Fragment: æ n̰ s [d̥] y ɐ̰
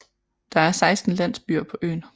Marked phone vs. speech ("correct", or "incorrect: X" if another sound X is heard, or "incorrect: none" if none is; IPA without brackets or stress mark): incorrect: b̥